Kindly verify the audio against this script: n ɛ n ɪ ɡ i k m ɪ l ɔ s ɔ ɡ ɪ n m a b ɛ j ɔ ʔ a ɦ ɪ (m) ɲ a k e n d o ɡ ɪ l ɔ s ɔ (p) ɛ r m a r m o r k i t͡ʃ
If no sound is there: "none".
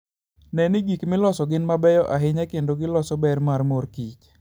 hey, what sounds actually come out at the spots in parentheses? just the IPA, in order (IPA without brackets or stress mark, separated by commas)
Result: none, b